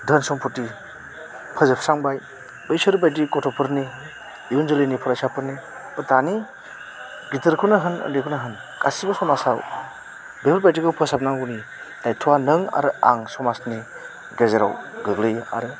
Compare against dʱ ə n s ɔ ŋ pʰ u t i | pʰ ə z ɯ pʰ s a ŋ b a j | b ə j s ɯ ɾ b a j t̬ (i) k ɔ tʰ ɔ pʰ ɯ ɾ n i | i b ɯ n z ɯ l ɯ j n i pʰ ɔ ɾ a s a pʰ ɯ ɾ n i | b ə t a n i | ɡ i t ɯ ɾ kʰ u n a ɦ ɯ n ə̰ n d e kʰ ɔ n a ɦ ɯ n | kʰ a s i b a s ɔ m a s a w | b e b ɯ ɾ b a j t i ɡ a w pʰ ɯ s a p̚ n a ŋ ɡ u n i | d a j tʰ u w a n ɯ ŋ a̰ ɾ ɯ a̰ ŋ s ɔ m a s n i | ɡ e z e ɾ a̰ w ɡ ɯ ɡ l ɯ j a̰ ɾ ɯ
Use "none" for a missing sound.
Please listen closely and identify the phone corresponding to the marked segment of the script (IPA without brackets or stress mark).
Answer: i